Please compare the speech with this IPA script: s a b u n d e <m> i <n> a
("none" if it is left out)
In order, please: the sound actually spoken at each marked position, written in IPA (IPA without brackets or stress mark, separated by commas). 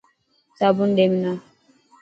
m, n